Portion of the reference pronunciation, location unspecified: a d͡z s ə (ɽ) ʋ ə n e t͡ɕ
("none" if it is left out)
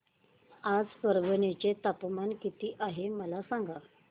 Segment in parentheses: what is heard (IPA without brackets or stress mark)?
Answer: ɾ